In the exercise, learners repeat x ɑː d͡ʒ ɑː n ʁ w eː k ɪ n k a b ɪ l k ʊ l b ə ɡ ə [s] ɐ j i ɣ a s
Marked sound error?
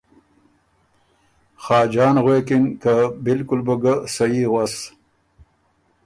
no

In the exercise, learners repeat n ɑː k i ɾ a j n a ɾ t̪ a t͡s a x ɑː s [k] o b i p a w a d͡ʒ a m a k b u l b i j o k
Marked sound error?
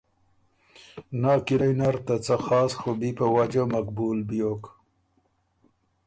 yes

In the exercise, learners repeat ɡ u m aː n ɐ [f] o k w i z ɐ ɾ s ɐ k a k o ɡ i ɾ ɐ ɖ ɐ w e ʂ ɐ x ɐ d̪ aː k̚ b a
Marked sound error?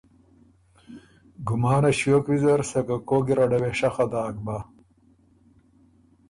yes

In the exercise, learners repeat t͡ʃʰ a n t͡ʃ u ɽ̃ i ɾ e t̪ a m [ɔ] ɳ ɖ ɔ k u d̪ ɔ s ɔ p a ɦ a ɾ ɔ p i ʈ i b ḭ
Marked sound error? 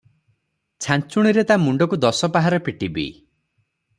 yes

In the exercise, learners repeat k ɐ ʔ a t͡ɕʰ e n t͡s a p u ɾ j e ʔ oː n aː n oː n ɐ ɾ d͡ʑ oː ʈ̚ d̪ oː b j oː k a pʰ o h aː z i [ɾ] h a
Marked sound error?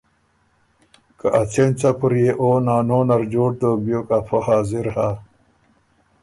no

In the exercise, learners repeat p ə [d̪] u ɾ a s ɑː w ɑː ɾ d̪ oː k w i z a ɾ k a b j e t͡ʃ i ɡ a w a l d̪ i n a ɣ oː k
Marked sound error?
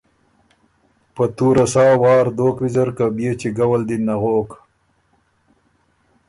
yes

